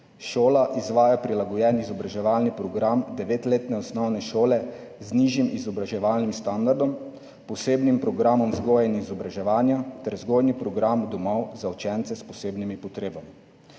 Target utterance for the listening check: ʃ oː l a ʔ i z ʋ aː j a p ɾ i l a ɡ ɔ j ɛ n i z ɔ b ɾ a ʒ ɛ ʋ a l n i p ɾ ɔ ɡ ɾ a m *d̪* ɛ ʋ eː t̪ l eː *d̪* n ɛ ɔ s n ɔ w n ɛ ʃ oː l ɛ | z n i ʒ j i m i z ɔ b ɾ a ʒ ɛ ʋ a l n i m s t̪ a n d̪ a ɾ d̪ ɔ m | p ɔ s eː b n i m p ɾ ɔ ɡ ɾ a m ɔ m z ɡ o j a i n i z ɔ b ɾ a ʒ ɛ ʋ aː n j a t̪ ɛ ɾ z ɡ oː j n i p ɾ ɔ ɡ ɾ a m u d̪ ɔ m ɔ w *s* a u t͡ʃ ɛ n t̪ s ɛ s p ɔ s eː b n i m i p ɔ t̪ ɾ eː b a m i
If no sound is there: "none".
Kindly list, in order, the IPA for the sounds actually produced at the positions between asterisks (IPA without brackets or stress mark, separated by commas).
d̪, t̪, z